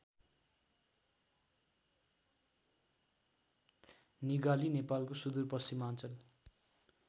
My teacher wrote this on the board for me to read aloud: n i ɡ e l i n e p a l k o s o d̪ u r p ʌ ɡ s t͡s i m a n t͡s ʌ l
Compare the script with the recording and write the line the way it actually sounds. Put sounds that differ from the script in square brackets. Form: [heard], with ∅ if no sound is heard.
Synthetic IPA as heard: n i ɡ [a] l i n e p a l k o s [u] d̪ u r p ʌ [∅] s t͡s i m a n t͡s ʌ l